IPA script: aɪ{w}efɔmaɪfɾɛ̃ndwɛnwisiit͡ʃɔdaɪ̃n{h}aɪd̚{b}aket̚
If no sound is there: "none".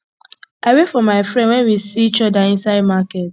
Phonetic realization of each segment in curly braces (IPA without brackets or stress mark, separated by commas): w, s, m